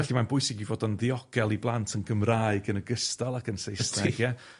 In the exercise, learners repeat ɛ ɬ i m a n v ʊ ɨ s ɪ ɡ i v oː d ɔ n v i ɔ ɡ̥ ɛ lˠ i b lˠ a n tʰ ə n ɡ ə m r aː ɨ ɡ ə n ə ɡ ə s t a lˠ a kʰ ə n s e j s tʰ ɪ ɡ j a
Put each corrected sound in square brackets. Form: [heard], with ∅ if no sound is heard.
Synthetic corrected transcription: ɛ ɬ i m a n [b] ʊ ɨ s ɪ ɡ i v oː d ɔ n [ð] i ɔ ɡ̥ ɛ lˠ i b lˠ a n tʰ ə n ɡ ə m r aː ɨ ɡ ə n ə ɡ ə s t a lˠ a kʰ ə n s e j s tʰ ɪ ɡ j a